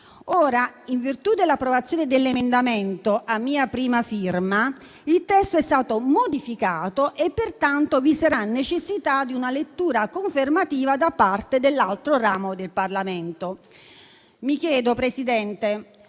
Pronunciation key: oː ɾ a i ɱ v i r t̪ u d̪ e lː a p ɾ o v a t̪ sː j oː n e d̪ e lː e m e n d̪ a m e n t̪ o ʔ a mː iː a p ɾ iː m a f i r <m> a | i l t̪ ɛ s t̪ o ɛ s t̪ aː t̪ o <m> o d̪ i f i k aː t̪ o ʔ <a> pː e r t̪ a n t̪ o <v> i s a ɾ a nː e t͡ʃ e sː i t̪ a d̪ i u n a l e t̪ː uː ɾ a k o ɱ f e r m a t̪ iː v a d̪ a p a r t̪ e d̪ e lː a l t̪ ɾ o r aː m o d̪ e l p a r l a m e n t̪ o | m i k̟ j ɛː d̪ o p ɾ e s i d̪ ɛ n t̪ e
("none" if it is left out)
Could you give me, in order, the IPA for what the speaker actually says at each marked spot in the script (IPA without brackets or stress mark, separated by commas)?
m, m, e, v